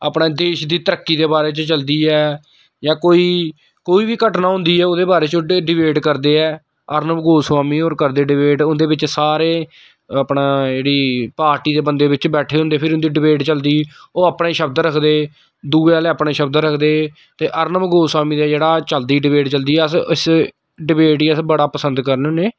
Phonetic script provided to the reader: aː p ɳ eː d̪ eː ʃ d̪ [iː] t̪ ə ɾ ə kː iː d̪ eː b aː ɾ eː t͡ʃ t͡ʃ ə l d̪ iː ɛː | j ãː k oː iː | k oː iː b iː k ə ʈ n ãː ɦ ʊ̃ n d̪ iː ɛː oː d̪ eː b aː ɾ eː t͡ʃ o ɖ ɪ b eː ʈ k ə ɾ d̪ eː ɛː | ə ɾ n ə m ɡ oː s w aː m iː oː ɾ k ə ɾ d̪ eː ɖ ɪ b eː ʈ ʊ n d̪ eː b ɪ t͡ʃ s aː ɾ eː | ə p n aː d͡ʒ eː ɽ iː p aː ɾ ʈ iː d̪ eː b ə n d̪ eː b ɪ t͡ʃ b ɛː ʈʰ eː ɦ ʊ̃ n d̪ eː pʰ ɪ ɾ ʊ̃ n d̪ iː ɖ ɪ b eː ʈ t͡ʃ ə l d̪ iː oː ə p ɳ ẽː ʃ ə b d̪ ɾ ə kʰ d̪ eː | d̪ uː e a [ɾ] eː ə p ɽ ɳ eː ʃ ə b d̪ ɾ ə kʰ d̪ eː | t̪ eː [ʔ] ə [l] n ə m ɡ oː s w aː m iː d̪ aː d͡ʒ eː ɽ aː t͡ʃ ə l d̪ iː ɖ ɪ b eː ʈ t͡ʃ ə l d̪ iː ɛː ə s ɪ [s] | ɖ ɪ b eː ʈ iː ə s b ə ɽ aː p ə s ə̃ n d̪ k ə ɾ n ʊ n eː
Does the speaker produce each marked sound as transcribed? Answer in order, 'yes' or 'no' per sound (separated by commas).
yes, no, yes, no, yes